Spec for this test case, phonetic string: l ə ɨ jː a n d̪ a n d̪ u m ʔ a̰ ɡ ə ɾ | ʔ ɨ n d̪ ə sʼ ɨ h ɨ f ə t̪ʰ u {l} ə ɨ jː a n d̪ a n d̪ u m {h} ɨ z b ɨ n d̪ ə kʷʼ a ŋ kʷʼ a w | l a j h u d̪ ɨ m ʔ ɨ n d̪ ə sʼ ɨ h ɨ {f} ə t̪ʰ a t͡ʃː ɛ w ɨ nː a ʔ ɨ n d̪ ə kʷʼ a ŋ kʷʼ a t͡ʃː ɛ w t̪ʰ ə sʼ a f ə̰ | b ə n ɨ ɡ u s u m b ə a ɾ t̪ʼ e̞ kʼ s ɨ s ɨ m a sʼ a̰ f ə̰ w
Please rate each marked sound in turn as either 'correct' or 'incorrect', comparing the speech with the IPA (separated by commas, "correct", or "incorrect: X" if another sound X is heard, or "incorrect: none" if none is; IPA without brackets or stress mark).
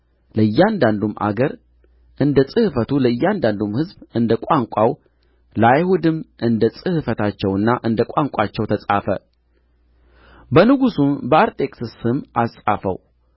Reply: correct, correct, correct